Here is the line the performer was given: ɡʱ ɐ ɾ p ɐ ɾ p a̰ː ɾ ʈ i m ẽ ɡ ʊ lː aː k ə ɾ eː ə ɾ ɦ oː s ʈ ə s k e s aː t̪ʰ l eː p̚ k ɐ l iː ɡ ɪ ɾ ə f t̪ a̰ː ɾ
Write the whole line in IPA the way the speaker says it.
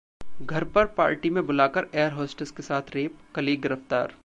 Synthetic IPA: ɡʱ ɐ ɾ p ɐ ɾ p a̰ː ɾ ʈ i m ẽ b ʊ l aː k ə ɾ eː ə ɾ ɦ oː s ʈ ə s k e s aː t̪ʰ ɾ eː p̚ k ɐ l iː ɡ ɪ ɾ ə f t̪ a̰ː ɾ